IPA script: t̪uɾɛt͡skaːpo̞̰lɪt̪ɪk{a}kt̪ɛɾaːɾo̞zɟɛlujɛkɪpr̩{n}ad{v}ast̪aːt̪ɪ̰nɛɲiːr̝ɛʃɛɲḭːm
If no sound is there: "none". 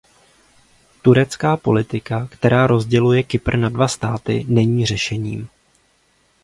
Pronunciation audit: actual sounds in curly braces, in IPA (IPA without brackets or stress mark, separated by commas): a, n, v